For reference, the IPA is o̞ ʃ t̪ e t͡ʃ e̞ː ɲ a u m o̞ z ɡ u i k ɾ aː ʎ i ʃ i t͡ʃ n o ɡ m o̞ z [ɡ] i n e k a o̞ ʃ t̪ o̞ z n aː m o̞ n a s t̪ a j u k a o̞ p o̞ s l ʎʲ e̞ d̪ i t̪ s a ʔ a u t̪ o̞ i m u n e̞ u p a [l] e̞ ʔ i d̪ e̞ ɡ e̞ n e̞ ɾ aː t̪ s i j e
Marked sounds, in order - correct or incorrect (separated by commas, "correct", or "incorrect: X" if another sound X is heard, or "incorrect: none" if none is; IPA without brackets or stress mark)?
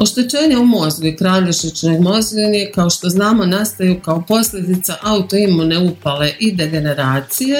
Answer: correct, correct